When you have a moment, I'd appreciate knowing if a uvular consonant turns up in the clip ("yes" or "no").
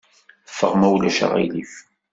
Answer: yes